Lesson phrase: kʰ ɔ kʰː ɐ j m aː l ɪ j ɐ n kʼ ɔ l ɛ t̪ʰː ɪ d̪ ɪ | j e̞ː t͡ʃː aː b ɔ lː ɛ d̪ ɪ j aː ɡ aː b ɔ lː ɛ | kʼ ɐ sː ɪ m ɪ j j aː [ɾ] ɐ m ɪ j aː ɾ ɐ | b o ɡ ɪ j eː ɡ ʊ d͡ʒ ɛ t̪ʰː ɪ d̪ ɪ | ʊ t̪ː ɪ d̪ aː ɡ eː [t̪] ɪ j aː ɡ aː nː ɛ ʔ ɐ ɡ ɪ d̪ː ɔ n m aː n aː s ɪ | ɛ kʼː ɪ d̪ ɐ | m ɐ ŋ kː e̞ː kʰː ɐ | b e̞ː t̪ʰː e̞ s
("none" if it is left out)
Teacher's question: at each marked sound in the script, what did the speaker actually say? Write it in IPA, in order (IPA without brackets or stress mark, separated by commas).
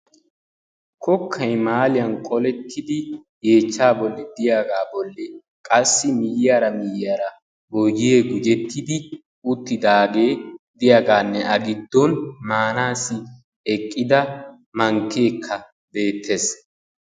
ɾ, d̪